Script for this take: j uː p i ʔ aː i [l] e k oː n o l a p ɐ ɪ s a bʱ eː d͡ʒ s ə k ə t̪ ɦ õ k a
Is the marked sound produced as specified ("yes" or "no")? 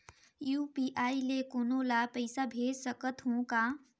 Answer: yes